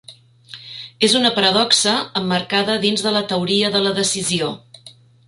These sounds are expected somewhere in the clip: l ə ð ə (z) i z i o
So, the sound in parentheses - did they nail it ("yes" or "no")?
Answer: no